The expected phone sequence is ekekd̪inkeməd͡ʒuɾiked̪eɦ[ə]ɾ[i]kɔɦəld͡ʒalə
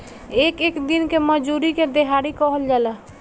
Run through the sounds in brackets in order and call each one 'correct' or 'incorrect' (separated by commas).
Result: incorrect, correct